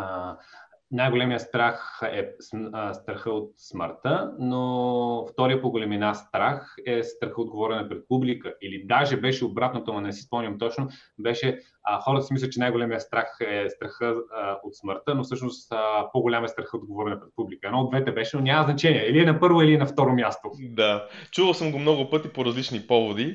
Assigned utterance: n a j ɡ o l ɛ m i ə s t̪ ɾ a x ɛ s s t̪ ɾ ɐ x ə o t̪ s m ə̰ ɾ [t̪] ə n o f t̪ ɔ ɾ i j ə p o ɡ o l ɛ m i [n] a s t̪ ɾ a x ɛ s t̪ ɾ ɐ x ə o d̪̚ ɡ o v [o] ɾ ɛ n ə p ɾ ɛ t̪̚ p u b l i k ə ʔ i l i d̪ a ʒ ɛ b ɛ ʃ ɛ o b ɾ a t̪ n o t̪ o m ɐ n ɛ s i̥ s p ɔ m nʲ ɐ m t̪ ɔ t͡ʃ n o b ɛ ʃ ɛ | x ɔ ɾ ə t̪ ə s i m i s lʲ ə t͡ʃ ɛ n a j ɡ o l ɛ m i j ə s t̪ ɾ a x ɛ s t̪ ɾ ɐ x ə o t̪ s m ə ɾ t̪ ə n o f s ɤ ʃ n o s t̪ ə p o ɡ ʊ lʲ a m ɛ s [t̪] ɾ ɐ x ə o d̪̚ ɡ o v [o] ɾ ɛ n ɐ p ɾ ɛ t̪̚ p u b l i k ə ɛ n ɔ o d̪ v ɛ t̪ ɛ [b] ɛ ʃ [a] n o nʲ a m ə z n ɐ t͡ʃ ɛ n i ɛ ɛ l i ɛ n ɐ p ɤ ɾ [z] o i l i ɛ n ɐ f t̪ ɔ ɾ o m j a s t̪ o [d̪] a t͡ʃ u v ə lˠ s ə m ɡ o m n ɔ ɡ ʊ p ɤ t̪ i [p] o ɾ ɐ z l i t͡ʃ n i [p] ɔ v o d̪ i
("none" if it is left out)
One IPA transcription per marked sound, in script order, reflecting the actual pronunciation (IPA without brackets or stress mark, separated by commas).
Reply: t̪, n, ɔ, t̪, ɔ, b, ɛ, v, d̪, p, p